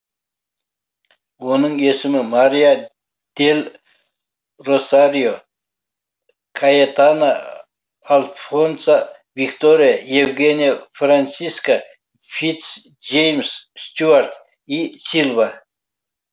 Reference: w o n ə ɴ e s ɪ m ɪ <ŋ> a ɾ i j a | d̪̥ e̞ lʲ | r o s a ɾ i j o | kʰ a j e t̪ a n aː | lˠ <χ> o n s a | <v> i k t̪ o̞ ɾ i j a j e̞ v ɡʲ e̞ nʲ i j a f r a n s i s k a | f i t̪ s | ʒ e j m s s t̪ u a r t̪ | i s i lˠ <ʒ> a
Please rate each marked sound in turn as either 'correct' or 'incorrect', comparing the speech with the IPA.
incorrect: m, incorrect: f, correct, incorrect: v

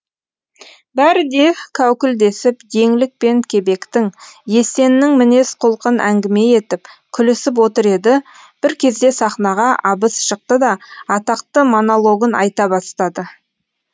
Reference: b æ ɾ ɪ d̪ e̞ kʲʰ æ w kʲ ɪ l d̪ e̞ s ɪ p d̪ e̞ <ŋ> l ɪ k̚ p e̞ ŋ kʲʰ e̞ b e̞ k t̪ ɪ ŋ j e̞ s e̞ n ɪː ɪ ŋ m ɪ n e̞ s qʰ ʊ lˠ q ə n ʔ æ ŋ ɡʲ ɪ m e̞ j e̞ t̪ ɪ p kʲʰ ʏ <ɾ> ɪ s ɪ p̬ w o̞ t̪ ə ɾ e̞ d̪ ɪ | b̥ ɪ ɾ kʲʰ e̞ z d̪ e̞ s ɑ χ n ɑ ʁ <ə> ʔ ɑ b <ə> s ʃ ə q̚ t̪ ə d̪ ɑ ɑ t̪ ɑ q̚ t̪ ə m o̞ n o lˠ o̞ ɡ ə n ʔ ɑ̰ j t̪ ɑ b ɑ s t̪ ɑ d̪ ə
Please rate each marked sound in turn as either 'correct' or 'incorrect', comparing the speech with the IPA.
correct, incorrect: l, incorrect: ɑ, correct

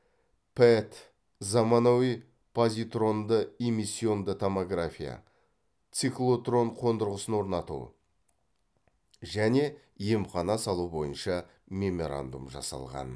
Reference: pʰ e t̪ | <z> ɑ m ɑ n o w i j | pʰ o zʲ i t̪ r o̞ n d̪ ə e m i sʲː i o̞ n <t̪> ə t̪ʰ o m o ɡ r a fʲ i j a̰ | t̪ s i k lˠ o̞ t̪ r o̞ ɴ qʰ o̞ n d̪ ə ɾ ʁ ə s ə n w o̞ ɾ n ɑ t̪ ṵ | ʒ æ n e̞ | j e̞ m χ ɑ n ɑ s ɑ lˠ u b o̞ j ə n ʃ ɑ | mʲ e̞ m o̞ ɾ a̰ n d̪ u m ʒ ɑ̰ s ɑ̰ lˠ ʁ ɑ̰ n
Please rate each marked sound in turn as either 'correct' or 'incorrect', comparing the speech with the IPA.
correct, incorrect: d̪

